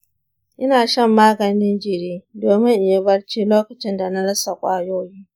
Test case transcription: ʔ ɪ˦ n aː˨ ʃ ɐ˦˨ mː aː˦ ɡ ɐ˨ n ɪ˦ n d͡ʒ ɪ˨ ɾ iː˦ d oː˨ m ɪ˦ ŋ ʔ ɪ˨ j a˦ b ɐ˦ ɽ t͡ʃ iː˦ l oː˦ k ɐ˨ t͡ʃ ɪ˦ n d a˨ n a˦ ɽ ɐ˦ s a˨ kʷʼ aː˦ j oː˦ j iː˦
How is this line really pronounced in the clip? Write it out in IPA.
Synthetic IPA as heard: ʔ ɪ˦ n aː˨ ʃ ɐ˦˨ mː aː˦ ɡ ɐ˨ n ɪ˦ n d͡ʒ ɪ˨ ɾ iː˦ d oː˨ m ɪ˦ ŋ ʔ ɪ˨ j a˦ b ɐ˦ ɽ t͡ʃ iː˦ l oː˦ k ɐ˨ t͡ʃ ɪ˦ n d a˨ n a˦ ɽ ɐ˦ s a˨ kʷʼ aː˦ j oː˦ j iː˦